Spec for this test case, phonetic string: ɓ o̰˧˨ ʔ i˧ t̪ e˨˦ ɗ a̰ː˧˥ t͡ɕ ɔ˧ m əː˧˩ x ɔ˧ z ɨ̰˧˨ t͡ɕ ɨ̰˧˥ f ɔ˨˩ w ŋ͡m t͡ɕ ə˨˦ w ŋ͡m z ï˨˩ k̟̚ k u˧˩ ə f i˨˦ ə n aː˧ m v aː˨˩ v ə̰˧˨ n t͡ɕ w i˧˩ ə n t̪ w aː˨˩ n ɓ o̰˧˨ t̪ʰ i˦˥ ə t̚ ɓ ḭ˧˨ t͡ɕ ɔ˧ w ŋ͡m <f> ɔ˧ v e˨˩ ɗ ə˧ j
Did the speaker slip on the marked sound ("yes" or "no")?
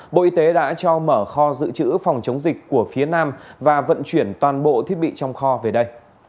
yes